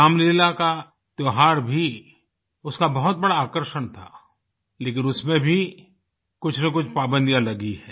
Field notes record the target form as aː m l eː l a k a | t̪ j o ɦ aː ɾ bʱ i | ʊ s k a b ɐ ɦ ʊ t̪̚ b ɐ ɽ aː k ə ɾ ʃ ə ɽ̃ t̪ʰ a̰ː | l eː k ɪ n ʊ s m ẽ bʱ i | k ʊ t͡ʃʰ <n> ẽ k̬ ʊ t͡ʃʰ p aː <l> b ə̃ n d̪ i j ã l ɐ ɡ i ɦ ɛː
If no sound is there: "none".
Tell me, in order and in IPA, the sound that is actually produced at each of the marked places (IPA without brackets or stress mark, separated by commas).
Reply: n, none